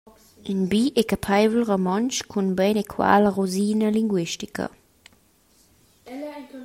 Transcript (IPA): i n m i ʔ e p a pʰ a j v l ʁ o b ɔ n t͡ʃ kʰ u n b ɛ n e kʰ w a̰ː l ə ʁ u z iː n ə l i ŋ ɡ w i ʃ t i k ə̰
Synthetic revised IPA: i n b i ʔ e k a pʰ a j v l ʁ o m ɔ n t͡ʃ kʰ u n b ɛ n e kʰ w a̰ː l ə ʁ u z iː n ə l i ŋ ɡ w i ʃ t i k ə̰